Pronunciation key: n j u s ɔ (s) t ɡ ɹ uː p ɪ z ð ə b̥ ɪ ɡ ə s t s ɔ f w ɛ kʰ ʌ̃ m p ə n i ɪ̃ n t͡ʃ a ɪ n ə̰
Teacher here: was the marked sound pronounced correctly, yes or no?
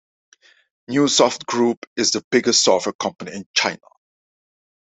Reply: no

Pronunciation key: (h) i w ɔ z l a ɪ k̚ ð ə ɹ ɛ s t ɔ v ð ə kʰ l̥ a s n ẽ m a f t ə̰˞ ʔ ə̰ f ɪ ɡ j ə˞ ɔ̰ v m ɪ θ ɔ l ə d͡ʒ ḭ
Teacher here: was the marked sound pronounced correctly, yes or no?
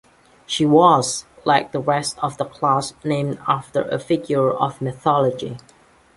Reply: no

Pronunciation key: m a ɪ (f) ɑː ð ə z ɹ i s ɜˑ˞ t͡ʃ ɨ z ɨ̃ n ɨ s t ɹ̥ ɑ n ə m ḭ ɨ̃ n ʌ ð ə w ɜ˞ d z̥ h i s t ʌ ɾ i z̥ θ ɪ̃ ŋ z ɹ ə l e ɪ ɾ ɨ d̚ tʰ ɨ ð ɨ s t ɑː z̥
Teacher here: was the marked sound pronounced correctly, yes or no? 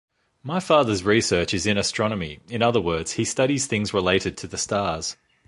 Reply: yes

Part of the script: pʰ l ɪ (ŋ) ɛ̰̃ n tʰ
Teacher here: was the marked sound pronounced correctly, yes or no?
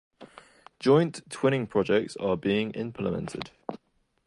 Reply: no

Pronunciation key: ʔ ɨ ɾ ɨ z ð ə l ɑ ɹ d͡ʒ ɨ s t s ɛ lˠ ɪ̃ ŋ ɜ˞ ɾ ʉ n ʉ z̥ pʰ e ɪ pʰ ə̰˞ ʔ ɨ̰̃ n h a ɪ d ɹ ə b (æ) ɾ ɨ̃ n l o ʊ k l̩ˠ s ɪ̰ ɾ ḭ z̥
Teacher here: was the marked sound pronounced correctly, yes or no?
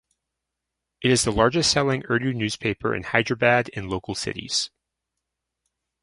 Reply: yes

